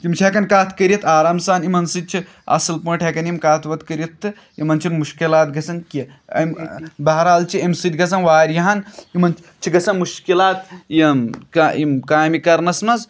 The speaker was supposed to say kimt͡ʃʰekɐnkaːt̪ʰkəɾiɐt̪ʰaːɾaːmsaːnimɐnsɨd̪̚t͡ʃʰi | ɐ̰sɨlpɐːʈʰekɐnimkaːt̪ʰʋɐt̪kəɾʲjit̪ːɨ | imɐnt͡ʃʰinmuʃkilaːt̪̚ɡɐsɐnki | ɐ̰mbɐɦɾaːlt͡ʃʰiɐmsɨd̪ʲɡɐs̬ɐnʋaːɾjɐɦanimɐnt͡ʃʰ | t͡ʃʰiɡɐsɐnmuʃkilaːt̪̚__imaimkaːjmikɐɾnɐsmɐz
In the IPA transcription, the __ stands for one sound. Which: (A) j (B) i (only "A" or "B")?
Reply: A